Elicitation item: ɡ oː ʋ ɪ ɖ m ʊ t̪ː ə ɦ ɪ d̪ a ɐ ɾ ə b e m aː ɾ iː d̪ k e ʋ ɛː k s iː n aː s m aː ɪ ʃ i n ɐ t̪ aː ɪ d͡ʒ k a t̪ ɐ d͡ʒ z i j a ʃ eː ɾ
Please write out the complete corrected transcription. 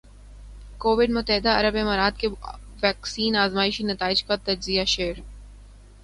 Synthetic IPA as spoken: k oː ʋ ɪ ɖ m ʊ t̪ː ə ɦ ɪ d̪ a ɐ ɾ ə b e m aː ɾ aː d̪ k e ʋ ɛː k s iː n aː z m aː ɪ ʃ i n ɐ t̪ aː ɪ d͡ʒ k a t̪ ɐ d͡ʒ z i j a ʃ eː ɾ